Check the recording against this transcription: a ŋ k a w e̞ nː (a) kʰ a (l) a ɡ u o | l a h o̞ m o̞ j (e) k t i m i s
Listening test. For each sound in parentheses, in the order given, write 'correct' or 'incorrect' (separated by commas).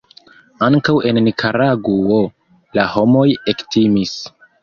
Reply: incorrect, incorrect, correct